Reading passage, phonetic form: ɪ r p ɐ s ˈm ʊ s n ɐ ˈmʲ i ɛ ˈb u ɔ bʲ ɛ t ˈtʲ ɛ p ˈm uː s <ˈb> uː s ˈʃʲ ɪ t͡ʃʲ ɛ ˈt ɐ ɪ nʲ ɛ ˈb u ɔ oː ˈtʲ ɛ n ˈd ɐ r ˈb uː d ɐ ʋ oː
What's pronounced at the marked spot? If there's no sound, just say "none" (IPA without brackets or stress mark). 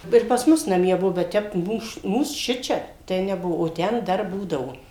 m